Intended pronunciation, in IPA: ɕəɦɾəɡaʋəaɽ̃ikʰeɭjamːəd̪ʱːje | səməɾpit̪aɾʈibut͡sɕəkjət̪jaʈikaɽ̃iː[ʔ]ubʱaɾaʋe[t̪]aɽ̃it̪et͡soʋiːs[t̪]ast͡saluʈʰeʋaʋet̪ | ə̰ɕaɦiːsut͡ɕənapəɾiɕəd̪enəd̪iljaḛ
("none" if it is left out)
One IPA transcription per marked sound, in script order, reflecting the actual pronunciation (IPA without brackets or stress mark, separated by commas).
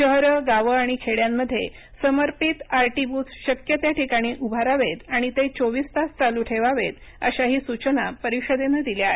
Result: ʔ, t̪, t̪